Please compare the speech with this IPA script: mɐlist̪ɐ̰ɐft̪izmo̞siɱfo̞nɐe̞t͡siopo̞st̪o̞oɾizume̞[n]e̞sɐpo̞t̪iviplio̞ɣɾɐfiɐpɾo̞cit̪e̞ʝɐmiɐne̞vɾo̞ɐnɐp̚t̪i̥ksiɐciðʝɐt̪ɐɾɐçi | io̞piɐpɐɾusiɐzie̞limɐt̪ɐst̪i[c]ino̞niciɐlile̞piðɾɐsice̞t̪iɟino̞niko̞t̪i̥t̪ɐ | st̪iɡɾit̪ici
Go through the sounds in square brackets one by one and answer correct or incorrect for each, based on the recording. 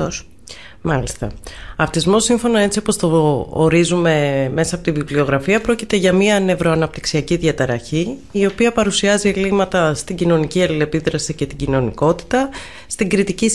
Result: incorrect: m, incorrect: ɟ

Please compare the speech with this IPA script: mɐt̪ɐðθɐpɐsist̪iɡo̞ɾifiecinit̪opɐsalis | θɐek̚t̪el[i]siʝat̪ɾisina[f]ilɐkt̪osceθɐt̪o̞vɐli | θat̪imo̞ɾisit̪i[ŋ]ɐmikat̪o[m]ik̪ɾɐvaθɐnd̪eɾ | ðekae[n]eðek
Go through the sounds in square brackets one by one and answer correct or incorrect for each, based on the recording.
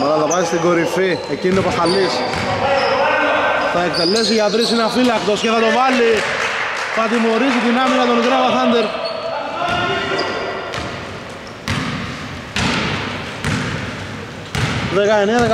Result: incorrect: e, correct, incorrect: n, incorrect: n, correct

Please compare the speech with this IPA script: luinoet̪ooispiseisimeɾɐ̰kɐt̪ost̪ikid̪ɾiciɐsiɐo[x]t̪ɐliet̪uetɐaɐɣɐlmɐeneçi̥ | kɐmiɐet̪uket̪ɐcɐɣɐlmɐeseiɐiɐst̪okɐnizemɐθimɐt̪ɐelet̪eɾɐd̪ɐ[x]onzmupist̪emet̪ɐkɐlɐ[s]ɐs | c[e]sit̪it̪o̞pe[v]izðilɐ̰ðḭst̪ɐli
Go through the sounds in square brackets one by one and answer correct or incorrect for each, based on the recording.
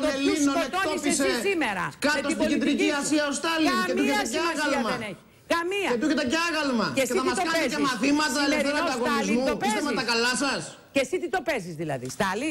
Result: incorrect: s, incorrect: ɣ, correct, correct, incorrect: z

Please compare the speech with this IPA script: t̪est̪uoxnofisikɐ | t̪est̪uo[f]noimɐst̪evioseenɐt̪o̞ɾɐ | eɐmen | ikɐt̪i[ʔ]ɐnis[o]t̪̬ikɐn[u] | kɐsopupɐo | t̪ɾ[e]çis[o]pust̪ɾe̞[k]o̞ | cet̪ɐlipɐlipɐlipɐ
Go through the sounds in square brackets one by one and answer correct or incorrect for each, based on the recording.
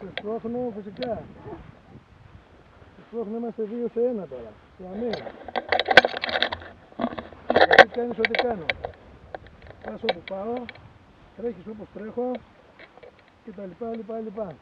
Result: incorrect: x, incorrect: k, correct, incorrect: o, correct, correct, incorrect: x

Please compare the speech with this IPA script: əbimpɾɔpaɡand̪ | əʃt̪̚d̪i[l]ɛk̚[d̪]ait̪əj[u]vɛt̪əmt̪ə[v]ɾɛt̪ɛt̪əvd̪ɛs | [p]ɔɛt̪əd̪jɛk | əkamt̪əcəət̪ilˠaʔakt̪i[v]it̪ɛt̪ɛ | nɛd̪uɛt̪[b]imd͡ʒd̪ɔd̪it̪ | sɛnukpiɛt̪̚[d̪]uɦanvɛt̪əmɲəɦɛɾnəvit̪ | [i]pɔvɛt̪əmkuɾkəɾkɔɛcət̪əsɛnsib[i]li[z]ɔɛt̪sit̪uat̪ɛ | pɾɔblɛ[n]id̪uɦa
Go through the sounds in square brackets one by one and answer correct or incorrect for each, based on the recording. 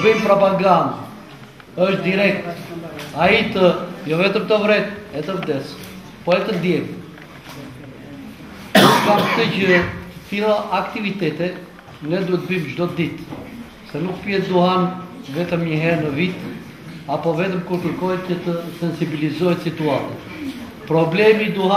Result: incorrect: ɾ, incorrect: t̪, incorrect: ɔ, correct, correct, correct, correct, correct, incorrect: a, correct, correct, incorrect: m

